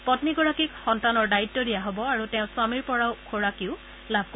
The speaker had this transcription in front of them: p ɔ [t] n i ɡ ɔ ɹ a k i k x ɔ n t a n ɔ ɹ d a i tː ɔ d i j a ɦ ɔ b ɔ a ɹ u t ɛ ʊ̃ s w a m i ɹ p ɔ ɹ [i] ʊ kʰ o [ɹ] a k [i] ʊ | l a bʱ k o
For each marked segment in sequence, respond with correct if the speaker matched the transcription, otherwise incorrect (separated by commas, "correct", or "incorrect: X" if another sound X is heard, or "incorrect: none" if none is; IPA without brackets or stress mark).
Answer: correct, incorrect: a, correct, correct